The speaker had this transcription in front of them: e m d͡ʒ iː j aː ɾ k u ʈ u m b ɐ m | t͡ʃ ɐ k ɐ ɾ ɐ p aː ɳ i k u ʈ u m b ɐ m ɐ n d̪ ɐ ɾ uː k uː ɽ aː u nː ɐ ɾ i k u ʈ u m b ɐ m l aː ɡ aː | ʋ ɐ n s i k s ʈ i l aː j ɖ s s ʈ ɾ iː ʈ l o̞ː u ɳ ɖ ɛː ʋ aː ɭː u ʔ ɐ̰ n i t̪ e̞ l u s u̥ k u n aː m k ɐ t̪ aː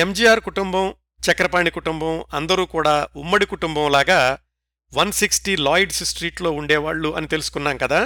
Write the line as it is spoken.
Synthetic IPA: e m d͡ʒ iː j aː ɾ k u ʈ u m b ɐ m | t͡ʃ ɐ k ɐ ɾ ɐ p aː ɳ i k u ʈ u m b ɐ m ɐ n d̪ ɐ ɾ uː k uː ɽ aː u mː ɐ ɽ i k u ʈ u m b ɐ m l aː ɡ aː | ʋ ɐ n s i k s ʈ i l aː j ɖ s s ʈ ɾ iː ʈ l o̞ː u ɳ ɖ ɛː ʋ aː ɭː u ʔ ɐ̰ n i t̪ e̞ l u s u̥ k u nː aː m k ɐ d̪ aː